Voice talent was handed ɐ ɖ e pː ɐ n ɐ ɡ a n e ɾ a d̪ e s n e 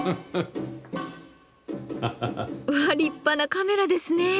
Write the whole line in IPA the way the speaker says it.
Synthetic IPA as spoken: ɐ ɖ i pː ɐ n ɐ k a m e ɾ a d̪ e s n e